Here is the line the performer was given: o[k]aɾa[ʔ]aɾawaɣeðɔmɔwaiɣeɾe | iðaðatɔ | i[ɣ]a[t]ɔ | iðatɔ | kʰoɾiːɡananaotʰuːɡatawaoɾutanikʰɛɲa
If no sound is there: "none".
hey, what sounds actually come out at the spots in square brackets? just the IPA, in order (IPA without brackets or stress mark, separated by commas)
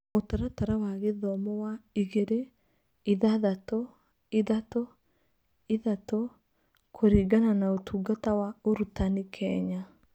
t, t, ð, t